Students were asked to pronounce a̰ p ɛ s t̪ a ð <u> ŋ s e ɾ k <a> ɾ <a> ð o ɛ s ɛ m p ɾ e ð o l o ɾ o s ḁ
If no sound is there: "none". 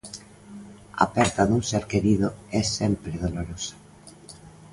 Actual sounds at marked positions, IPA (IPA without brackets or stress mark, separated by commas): u, e, i